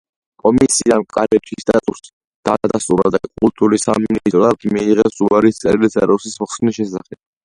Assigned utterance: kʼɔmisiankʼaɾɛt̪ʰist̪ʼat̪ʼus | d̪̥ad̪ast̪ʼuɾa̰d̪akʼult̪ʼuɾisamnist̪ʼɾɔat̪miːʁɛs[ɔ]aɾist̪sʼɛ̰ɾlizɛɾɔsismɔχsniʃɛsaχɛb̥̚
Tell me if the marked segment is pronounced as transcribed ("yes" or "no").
no